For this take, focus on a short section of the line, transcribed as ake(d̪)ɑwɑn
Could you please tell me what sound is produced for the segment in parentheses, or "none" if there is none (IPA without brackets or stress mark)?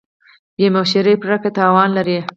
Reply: t̪